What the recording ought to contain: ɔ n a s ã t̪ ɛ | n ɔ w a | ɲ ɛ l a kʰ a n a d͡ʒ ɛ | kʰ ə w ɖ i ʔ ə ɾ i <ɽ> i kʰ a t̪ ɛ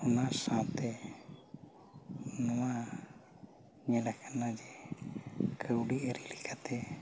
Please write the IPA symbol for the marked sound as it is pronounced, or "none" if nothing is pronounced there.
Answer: l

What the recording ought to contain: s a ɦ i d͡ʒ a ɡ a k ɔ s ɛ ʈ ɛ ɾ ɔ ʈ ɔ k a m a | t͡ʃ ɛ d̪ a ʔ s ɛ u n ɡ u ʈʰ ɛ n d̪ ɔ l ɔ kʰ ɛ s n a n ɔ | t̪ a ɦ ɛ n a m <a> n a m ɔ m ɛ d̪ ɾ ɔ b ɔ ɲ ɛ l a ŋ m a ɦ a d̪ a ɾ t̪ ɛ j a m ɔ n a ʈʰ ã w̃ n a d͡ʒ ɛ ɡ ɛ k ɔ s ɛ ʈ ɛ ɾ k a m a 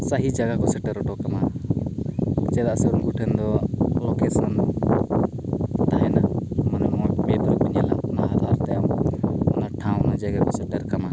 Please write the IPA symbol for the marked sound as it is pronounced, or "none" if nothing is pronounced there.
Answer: a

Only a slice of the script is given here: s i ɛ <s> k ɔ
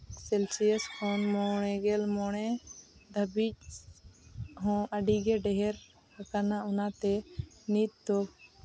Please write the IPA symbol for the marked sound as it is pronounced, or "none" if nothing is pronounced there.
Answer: s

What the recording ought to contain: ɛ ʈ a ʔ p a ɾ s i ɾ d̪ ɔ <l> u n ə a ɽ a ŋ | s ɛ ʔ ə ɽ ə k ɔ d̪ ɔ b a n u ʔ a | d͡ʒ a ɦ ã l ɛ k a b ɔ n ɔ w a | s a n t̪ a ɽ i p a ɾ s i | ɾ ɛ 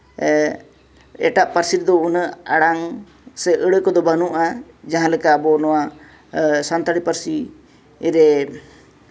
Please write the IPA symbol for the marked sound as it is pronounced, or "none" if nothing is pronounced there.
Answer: none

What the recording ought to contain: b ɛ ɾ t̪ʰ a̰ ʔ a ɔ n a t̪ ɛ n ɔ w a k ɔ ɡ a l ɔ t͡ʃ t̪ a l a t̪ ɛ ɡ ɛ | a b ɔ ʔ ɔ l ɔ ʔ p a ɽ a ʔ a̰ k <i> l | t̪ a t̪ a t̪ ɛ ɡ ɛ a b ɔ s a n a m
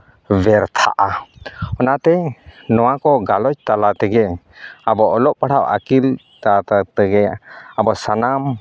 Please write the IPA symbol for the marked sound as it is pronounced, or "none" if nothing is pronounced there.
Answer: i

